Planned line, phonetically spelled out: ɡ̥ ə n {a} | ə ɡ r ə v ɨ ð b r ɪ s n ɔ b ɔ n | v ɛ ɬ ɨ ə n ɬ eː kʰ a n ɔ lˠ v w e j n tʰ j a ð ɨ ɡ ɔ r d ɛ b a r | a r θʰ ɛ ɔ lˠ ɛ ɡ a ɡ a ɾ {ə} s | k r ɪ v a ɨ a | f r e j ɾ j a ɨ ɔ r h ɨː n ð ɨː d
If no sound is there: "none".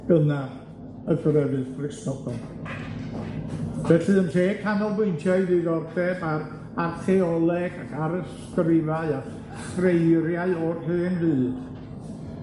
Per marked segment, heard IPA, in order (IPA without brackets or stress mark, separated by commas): a, ə